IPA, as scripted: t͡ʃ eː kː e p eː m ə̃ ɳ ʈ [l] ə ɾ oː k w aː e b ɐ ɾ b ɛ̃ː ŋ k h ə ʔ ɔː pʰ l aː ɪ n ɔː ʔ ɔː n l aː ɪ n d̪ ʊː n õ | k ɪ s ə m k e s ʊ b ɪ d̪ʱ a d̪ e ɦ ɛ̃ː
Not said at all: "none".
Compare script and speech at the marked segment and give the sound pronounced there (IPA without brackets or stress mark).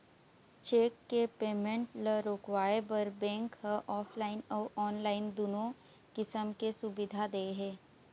l